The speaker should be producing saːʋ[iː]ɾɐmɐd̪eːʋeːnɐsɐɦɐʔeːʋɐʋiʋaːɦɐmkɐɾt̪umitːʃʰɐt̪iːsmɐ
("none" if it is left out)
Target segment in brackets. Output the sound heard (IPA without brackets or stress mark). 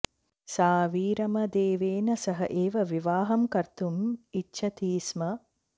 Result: iː